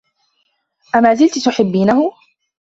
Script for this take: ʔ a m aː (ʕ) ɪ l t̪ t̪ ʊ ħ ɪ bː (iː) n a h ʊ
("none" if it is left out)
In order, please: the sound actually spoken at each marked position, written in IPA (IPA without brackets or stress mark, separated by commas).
z, iː